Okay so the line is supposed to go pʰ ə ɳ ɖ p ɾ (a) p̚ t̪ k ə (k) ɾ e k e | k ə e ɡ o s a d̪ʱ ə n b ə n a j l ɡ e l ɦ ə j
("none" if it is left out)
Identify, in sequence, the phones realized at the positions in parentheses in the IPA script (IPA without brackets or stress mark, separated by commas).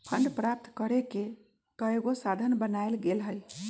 a, none